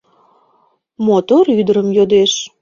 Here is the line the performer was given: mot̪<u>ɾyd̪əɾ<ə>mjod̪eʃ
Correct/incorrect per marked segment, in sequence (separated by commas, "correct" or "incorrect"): incorrect, correct